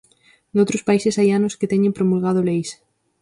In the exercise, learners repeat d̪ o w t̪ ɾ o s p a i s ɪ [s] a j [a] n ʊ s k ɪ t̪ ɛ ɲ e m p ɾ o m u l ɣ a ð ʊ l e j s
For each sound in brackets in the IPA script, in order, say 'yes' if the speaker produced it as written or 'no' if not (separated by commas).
yes, yes